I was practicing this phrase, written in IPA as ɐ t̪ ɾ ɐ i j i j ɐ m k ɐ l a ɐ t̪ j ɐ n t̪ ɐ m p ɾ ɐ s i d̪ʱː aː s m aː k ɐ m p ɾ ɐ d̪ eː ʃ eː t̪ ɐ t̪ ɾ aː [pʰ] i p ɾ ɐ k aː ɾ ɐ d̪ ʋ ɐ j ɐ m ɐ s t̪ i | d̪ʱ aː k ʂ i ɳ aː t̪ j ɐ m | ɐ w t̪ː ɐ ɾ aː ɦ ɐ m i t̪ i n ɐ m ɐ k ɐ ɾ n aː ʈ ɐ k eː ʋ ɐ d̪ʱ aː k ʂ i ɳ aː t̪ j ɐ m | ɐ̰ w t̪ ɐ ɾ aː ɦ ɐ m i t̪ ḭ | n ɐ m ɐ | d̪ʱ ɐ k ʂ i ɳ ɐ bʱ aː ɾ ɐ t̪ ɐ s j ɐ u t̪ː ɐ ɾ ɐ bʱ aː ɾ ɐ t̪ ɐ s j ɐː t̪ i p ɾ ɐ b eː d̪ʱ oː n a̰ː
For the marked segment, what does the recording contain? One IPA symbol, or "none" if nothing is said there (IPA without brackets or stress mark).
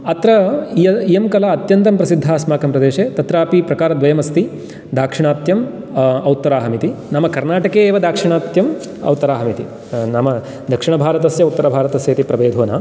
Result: p